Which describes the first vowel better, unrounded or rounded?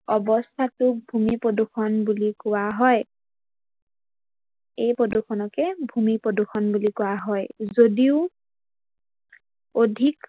rounded